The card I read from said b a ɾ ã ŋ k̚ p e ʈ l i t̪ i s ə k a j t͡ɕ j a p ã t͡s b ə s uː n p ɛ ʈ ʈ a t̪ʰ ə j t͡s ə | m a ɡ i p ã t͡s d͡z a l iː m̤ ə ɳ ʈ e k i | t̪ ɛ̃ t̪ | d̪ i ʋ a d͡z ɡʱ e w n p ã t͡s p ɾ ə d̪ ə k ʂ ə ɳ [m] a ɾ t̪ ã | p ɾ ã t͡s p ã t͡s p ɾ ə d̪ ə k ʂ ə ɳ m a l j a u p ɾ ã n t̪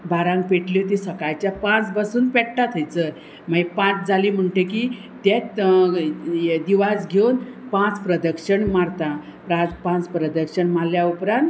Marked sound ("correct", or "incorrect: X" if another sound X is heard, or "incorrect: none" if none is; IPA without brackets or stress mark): correct